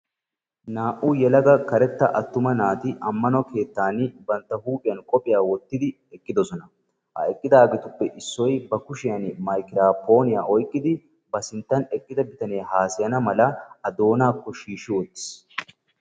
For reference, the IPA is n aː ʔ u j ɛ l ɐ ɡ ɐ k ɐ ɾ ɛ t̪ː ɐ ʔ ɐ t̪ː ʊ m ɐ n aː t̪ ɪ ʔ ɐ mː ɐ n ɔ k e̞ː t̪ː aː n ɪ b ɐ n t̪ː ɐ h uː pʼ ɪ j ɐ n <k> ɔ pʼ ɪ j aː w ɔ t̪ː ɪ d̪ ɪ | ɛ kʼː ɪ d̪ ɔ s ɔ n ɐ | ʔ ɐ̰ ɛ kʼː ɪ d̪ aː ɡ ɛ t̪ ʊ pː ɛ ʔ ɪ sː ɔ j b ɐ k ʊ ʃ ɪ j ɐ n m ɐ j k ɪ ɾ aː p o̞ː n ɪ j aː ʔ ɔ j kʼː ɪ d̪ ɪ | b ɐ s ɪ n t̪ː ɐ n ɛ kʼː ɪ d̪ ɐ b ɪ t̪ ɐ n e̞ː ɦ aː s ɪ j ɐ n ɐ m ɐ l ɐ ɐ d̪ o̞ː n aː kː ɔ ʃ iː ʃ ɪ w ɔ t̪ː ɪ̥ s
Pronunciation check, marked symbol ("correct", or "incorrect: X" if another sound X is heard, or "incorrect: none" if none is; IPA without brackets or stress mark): incorrect: kʼ